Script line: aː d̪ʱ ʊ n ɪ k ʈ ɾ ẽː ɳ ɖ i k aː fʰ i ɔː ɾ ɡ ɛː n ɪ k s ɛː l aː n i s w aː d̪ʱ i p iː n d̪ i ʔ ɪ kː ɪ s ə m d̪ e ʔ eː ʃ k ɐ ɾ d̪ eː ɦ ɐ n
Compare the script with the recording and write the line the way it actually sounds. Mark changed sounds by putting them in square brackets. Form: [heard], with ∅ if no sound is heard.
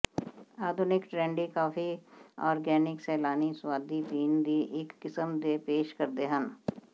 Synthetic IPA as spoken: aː d̪ʱ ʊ n ɪ k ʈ ɾ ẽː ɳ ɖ i k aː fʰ i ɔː ɾ ɡ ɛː n ɪ k s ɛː l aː n i s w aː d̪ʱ i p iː n d̪ i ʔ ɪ kː ɪ s ə m d̪ e [p] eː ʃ k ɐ ɾ d̪ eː ɦ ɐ n